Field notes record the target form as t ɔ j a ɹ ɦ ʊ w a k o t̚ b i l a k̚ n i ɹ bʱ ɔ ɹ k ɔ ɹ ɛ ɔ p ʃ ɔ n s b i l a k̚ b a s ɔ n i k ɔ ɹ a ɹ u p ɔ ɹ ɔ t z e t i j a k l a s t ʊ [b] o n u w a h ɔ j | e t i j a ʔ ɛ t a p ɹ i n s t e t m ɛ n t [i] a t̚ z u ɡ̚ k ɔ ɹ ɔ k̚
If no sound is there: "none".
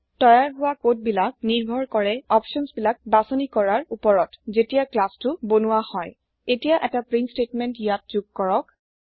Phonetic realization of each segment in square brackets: b, j

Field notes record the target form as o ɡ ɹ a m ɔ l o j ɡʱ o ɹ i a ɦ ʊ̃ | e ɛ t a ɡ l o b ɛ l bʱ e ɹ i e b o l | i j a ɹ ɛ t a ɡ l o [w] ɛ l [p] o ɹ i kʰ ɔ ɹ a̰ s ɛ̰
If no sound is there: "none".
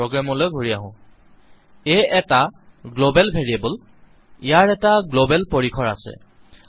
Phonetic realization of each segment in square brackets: b, p

